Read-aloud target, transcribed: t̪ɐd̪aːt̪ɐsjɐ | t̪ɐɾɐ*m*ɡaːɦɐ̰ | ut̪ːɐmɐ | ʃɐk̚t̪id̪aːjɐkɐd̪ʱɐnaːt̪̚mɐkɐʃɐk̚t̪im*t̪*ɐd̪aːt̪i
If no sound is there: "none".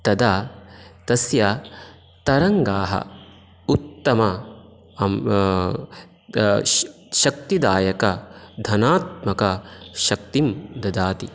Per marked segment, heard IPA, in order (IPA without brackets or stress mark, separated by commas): ŋ, d̪